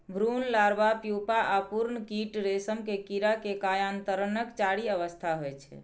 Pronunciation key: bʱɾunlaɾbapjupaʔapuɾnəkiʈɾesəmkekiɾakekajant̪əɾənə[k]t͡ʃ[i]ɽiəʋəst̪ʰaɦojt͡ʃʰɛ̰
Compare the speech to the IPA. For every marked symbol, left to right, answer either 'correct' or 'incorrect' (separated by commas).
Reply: correct, incorrect